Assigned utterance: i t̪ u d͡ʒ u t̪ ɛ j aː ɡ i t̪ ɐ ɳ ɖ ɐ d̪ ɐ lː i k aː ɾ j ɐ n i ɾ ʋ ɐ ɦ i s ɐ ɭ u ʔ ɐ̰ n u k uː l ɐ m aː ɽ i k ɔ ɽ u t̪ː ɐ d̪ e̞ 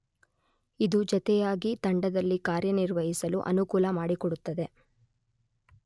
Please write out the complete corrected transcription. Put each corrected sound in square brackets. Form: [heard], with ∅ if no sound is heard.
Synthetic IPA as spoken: i [d̪] u d͡ʒ [ɔ] t̪ ɛ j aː ɡ i t̪ ɐ ɳ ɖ ɐ d̪ ɐ lː i k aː ɾ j ɐ n i ɾ ʋ ɐ ɦ i s ɐ [l] u ʔ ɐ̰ n u k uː l ɐ m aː ɽ i k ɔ ɽ u t̪ː ɐ d̪ e̞